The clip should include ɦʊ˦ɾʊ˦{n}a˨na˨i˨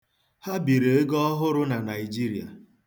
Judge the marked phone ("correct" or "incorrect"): correct